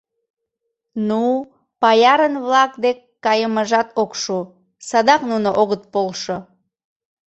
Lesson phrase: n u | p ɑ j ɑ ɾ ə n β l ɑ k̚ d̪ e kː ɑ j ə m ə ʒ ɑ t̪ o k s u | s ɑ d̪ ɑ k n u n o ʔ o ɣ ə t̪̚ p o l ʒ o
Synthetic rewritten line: n u | p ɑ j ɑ ɾ ə n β l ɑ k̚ d̪ e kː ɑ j ə m ə ʒ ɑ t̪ o k ʃ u | s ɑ d̪ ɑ k n u n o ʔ o ɣ ə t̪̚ p o l ʃ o